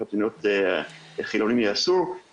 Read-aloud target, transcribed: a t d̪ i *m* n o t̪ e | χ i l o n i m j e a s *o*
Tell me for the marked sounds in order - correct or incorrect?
incorrect: none, incorrect: u

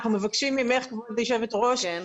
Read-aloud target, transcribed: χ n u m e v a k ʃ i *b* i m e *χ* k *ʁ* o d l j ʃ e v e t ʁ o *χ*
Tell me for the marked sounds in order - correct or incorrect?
incorrect: m, correct, incorrect: v, incorrect: ʃ

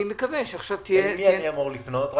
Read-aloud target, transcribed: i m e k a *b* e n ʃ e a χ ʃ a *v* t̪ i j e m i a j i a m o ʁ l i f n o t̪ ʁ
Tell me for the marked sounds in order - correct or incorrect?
incorrect: v, correct

